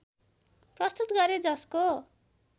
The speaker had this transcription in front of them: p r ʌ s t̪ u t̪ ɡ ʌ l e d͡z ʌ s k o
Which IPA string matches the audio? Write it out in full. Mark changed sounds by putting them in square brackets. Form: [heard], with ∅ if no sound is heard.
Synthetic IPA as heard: p r ʌ s t̪ u t̪ ɡ ʌ [ɾ] e d͡z ʌ s k o